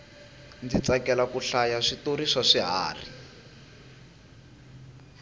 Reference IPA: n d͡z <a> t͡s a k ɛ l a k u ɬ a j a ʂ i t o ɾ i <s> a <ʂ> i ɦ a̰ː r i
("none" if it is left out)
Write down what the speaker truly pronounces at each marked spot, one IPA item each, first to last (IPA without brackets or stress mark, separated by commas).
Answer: i, ʂ, ʂ